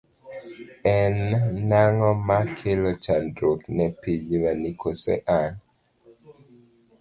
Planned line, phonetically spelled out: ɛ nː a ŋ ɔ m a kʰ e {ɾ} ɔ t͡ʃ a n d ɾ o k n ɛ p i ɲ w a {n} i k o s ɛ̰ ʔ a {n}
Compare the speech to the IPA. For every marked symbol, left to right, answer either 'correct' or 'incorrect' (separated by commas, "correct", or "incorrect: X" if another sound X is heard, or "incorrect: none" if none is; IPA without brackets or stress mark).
incorrect: l, correct, correct